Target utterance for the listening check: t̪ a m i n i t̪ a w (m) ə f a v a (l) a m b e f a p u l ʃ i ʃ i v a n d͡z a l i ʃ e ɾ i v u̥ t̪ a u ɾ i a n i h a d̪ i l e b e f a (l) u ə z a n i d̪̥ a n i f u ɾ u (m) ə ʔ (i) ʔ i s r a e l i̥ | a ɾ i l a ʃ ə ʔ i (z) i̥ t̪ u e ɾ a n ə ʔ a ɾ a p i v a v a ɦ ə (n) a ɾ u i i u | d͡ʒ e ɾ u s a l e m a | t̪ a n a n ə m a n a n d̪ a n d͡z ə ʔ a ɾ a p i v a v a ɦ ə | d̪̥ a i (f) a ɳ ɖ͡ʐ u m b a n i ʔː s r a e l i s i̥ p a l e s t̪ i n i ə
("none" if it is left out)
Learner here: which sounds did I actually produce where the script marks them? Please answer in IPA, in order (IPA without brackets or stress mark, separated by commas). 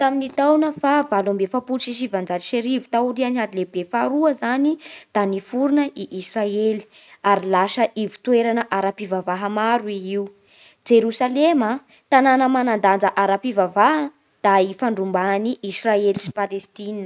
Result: n, l, ɾ, n, i, v, m, f